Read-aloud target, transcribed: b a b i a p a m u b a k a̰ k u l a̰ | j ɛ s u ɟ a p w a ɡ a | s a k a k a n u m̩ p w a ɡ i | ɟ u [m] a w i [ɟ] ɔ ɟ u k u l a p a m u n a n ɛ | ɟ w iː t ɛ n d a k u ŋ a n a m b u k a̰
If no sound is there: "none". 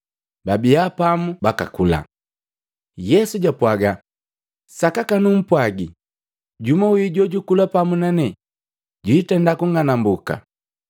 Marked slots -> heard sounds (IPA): m, ɟ

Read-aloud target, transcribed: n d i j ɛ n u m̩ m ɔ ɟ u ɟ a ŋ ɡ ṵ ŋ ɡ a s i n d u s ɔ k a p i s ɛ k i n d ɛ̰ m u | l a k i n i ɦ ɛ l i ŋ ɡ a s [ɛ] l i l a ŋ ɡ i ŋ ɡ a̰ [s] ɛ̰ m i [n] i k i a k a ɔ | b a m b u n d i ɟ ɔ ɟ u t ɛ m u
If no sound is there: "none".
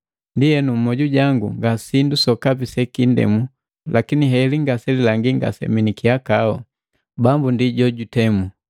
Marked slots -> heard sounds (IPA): ɛ, s, n

